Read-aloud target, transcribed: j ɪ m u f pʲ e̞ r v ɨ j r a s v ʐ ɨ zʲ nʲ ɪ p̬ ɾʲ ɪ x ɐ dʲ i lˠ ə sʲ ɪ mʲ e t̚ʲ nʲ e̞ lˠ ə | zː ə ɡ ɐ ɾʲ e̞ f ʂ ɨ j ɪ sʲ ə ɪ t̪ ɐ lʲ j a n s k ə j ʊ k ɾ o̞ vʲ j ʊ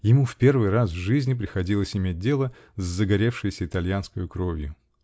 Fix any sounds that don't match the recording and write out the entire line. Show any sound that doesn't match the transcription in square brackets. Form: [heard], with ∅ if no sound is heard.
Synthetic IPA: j ɪ m u f pʲ e̞ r v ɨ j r a s v ʐ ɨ zʲ nʲ ɪ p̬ ɾʲ ɪ x ɐ dʲ i lˠ ə sʲ ɪ mʲ e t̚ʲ [dʲ] e̞ lˠ ə | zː ə ɡ ɐ ɾʲ e̞ f ʂ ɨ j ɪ sʲ ə ɪ t̪ ɐ lʲ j a n s k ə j ʊ k ɾ o̞ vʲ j ʊ